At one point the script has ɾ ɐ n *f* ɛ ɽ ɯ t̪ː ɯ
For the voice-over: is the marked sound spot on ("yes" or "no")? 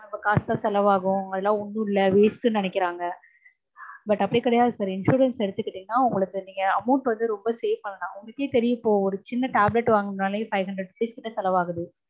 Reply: no